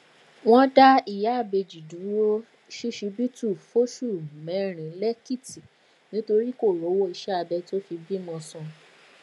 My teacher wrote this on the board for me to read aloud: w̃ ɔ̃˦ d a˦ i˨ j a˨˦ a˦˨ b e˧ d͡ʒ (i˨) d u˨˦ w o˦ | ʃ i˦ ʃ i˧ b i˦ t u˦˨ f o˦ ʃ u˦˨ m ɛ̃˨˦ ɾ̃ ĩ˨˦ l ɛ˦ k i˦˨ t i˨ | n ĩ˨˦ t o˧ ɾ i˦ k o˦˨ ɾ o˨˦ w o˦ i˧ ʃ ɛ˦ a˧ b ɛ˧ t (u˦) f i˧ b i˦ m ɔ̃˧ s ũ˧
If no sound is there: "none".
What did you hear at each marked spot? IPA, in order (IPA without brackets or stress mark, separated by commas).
i˨, o˦